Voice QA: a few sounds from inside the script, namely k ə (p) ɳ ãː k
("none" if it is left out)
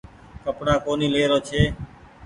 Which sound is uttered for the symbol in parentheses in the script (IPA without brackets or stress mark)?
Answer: p